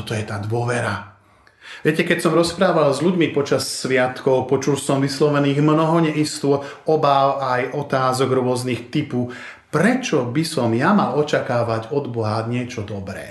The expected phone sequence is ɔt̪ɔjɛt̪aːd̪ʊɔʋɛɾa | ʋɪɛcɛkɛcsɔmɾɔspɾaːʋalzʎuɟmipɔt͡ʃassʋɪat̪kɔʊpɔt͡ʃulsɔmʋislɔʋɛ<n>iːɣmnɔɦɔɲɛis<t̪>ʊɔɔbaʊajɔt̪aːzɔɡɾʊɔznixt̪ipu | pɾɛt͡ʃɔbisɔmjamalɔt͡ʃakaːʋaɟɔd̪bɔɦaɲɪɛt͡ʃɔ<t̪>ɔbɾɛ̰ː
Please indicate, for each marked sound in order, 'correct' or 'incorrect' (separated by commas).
correct, correct, incorrect